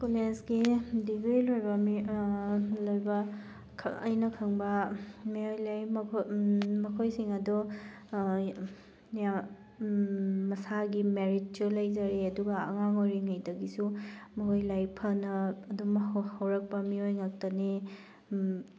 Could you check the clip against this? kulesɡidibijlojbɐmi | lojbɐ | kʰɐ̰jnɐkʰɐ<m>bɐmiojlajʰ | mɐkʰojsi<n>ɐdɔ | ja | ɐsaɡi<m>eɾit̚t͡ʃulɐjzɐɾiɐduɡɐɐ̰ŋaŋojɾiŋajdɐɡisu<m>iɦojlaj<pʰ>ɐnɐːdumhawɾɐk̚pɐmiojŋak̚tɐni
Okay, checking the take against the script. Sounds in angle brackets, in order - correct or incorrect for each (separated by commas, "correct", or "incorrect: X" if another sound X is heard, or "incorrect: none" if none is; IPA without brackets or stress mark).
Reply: incorrect: ŋ, incorrect: ŋ, correct, correct, correct